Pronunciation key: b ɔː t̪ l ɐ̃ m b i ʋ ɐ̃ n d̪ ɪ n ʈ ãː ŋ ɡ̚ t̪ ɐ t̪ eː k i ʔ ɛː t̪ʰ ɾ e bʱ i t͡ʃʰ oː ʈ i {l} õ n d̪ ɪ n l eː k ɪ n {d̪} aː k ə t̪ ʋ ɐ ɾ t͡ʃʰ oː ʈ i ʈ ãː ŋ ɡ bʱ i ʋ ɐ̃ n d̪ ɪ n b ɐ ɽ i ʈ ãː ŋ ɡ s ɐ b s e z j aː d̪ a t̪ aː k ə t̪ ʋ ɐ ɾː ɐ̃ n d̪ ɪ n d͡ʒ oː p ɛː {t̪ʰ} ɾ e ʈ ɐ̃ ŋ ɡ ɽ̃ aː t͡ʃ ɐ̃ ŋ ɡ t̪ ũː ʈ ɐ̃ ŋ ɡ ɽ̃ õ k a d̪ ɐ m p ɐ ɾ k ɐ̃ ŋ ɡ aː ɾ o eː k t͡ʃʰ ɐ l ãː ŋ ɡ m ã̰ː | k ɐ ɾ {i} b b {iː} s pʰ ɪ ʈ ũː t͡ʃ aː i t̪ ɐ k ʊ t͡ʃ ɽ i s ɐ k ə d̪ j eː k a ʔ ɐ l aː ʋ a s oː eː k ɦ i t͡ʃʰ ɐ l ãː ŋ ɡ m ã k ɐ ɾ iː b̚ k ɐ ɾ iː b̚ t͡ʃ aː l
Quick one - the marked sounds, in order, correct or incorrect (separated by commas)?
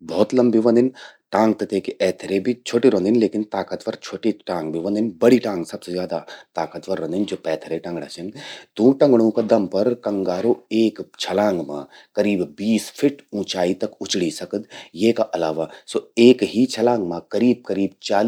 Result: incorrect, incorrect, correct, incorrect, correct